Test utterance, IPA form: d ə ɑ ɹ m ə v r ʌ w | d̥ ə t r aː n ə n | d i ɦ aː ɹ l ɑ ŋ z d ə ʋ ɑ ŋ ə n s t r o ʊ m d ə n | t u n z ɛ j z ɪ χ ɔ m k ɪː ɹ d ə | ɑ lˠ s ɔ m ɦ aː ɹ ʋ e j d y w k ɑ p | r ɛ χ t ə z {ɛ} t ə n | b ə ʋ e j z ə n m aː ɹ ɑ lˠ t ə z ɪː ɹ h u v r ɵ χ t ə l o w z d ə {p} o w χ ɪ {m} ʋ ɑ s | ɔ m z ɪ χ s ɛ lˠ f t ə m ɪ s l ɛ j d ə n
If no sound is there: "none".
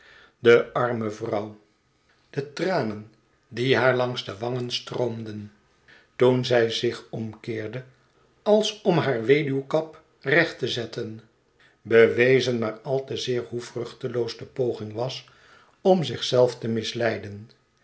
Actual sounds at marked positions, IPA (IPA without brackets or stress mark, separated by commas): ɛ, p, ŋ